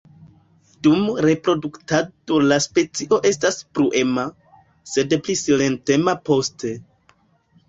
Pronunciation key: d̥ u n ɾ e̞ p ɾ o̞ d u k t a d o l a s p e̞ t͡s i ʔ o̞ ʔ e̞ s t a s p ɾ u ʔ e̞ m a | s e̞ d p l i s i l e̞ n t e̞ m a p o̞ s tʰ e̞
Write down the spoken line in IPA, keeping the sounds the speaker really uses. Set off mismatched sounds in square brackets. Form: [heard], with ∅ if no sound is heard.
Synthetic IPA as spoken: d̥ u [m] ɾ e̞ p ɾ o̞ d u k t a d o l a s p e̞ t͡s i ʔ o̞ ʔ e̞ s t a s p ɾ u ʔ e̞ m a | s e̞ d p l i s i l e̞ n t e̞ m a p o̞ s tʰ e̞

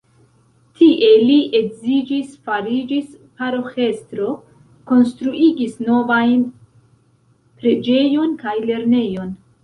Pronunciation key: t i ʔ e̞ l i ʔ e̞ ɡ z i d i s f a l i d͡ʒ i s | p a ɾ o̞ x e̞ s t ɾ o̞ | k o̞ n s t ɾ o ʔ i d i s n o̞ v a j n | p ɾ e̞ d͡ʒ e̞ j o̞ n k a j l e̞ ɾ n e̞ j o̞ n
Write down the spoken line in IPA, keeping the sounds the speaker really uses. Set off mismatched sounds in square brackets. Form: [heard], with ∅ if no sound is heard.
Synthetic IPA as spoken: t i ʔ e̞ l i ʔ e̞ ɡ z i [d͡ʒ] i s f a [ɾ] i d͡ʒ i s | p a ɾ o̞ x e̞ s t ɾ o̞ | k o̞ n s t ɾ [u] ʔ i [ɡ] i s n o̞ v a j n | p ɾ e̞ d͡ʒ e̞ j o̞ n k a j l e̞ ɾ n e̞ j o̞ n

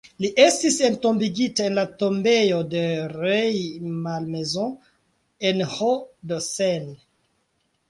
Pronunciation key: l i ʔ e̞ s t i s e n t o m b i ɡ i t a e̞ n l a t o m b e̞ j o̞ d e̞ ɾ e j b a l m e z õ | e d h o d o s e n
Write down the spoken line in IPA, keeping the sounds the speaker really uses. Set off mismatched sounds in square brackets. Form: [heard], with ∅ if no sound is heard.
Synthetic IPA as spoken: l i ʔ e̞ s t i s e n t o m b i ɡ i t a e̞ n l a t o m b e̞ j o̞ d e̞ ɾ e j [m] a l m e z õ | e [n] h o d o s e n

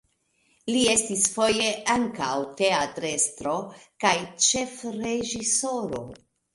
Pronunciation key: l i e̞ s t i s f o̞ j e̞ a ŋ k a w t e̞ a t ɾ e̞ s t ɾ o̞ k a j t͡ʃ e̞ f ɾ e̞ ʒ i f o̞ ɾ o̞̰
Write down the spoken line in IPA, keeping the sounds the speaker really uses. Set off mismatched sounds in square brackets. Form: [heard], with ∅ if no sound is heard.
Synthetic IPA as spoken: l i e̞ s t i s f o̞ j e̞ a ŋ k a w t e̞ a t ɾ e̞ s t ɾ o̞ k a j t͡ʃ e̞ f ɾ e̞ ʒ i [s] o̞ ɾ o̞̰

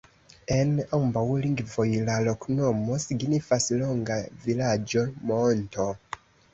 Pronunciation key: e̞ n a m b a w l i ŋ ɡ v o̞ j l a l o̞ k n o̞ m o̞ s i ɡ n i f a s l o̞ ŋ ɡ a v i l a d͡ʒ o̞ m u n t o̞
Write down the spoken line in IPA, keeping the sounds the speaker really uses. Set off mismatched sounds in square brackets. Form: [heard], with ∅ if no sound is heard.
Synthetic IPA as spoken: e̞ n a m b a w l i ŋ ɡ v o̞ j l a l o̞ k n o̞ m o̞ s i ɡ n i f a s l o̞ ŋ ɡ a v i l a d͡ʒ o̞ m [o] n t o̞

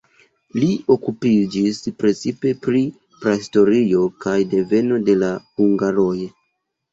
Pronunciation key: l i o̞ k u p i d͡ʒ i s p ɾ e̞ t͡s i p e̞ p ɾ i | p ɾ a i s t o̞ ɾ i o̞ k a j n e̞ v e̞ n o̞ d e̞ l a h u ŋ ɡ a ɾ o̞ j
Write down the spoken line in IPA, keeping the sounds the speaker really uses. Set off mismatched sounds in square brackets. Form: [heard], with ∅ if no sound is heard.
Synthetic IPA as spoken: l i o̞ k u p i d͡ʒ i s p ɾ e̞ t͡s i p e̞ p ɾ i | p ɾ a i s t o̞ ɾ i o̞ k a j [d] e̞ v e̞ n o̞ d e̞ l a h u ŋ ɡ a ɾ o̞ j

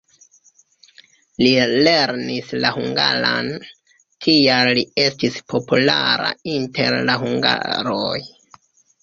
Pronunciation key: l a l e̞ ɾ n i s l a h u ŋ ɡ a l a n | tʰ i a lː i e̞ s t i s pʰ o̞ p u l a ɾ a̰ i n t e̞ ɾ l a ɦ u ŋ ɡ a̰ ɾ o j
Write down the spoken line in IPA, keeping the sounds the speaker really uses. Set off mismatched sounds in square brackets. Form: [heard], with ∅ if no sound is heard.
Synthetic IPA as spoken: l [i] l e̞ ɾ n i s l a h u ŋ ɡ a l a n | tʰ i a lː i e̞ s t i s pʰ o̞ p u l a ɾ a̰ i n t e̞ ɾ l a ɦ u ŋ ɡ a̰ ɾ o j

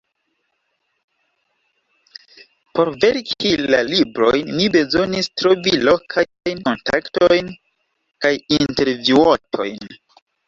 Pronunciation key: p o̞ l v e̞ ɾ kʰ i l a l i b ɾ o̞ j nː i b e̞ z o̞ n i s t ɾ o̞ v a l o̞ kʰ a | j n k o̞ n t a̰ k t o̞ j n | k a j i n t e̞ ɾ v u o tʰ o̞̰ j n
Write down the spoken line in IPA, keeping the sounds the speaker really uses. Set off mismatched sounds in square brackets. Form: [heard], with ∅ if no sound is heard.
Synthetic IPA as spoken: p o̞ [ɾ] v e̞ ɾ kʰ i l a l i b ɾ o̞ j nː i b e̞ z o̞ n i s t ɾ o̞ v [i] l o̞ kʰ a | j n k o̞ n t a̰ k t o̞ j n | k a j i n t e̞ ɾ v u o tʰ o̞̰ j n

